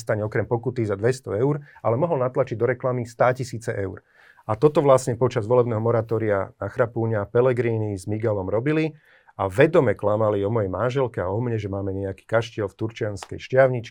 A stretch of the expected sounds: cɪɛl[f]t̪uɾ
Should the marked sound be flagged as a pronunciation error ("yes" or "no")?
no